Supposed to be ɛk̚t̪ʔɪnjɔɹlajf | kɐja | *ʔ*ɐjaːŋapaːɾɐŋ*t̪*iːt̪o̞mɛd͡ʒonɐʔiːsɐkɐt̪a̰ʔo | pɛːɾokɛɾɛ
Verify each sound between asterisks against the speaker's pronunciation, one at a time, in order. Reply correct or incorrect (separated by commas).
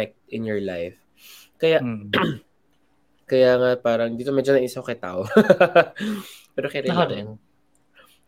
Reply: incorrect, incorrect